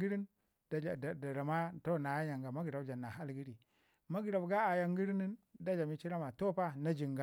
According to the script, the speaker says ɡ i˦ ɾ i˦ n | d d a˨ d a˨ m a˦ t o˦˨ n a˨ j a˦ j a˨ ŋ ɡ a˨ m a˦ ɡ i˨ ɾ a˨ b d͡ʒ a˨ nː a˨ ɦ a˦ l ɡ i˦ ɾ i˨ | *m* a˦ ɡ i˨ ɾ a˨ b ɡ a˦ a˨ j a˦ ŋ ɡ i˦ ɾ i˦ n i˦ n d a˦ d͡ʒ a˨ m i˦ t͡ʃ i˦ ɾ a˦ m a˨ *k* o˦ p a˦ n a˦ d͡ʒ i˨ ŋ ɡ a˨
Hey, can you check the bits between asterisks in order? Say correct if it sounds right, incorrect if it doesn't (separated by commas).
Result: correct, incorrect